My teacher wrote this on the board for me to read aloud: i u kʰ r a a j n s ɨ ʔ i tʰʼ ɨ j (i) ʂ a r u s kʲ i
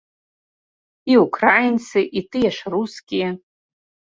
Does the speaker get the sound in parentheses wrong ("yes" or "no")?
yes